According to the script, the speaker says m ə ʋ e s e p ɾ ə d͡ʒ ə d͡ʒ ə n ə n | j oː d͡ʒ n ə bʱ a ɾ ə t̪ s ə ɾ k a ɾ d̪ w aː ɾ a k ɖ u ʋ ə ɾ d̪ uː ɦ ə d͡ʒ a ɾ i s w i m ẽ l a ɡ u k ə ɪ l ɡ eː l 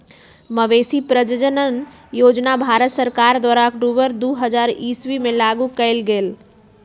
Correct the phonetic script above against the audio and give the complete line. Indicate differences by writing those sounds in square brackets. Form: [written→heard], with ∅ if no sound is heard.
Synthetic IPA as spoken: m ə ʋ e s [e→i] p ɾ ə d͡ʒ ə d͡ʒ ə n ə n | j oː d͡ʒ n [ə→a] bʱ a ɾ ə t̪ s ə ɾ k a ɾ d̪ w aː ɾ a k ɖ u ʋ ə ɾ d̪ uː ɦ ə d͡ʒ a ɾ i s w i m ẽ l a ɡ u k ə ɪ l ɡ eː l